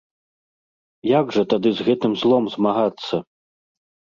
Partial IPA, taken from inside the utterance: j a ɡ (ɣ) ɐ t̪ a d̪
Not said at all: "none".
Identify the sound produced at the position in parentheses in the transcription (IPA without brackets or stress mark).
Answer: ʐ